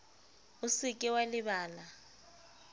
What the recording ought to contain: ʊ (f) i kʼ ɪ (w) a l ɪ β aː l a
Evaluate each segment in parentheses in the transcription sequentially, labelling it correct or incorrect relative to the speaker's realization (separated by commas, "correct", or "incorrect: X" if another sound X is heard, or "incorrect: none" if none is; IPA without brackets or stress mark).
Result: incorrect: s, correct